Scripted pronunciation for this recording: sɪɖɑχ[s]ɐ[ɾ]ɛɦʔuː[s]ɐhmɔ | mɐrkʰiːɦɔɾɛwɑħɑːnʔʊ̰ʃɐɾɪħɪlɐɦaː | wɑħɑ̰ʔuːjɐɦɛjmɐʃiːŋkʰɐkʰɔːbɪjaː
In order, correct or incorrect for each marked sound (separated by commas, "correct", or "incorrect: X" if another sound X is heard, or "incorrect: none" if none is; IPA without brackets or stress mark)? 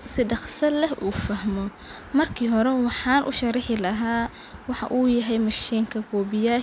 correct, incorrect: l, incorrect: f